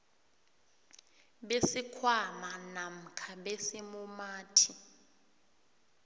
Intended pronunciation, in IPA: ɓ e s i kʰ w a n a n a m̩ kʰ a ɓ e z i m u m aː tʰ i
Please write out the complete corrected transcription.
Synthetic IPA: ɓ e s i kʰ w a m a n a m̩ kʰ a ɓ e s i m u m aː tʰ i